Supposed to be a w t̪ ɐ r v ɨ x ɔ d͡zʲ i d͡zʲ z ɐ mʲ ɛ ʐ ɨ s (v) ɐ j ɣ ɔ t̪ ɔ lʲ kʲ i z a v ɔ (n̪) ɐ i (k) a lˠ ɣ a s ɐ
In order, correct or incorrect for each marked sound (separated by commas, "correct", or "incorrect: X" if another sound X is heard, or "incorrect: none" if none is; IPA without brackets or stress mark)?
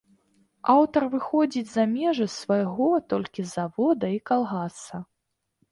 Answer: correct, incorrect: d̪, correct